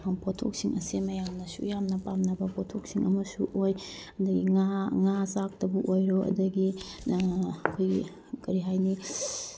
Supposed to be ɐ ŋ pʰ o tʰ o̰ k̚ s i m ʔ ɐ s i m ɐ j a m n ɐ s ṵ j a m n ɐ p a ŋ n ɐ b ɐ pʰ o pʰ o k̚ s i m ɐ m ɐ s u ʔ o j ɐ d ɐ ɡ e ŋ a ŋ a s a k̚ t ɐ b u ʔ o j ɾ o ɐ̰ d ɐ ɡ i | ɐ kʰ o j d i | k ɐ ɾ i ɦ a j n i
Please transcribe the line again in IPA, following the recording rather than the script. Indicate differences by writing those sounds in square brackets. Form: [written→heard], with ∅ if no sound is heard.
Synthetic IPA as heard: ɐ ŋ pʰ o tʰ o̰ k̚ s i [m→ŋ] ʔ ɐ s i m ɐ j a m n ɐ s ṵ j a m n ɐ p a [ŋ→m] n ɐ b ɐ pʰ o [pʰ→tʰ] o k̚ s i [m→ŋ] ɐ m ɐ s u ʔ o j ɐ d ɐ ɡ [e→i] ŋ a ŋ a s a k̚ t ɐ b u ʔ o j ɾ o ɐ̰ d ɐ ɡ i | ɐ kʰ o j [d→ɡ] i | k ɐ ɾ i ɦ a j n i